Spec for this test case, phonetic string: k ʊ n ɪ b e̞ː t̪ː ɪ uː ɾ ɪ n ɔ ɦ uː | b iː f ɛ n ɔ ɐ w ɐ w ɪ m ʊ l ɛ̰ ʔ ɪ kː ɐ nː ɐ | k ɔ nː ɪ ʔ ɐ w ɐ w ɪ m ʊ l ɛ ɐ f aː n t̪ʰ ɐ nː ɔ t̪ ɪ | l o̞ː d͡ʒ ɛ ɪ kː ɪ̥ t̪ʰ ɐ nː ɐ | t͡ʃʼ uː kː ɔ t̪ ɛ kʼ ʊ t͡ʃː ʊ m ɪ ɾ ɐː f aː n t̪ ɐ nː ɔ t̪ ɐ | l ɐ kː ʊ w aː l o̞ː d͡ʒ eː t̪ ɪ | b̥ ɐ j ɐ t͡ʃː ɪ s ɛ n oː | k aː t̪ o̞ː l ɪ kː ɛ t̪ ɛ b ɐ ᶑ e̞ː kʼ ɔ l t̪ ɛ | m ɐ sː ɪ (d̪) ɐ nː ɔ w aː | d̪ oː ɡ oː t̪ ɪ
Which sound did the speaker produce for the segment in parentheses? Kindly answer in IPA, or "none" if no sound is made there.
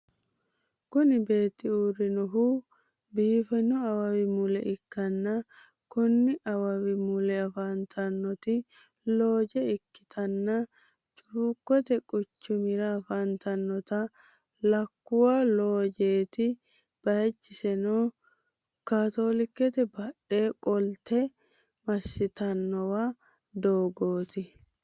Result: t̪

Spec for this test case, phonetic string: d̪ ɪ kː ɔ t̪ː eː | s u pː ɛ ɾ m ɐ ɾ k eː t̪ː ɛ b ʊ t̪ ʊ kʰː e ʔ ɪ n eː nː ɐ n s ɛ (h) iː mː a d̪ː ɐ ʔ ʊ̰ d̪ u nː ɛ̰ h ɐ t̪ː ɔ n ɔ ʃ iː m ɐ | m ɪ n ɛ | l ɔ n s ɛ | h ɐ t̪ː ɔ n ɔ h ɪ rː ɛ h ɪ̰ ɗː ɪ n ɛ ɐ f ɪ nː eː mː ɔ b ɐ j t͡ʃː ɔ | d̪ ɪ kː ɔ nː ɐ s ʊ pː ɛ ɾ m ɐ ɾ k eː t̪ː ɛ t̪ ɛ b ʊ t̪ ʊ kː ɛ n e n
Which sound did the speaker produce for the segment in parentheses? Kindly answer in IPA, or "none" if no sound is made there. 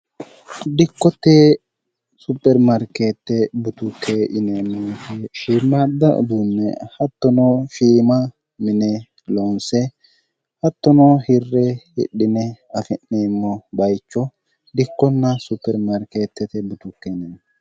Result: ʃ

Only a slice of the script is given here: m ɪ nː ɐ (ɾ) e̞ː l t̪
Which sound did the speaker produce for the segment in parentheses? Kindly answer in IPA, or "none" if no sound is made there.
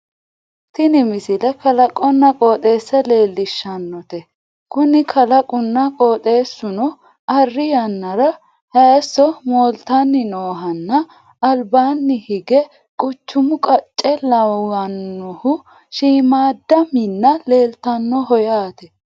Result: l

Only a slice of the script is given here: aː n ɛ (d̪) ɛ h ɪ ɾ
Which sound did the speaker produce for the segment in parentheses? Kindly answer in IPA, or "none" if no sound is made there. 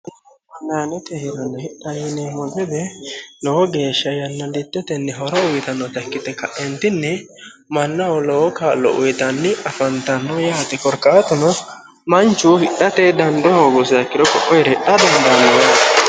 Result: t̪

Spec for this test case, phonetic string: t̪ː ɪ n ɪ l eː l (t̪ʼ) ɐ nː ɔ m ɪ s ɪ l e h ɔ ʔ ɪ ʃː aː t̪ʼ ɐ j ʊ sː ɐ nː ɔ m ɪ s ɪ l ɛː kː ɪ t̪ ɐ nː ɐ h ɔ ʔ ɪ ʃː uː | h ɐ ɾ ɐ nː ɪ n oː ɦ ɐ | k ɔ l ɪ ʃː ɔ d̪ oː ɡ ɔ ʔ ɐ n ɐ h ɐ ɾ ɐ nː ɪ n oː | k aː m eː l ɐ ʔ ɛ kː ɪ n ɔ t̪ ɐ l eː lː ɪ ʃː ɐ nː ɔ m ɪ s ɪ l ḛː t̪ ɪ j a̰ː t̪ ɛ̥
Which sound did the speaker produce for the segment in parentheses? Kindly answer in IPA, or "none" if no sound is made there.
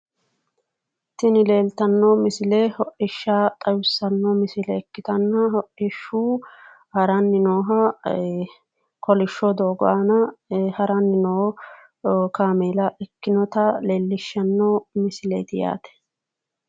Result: t̪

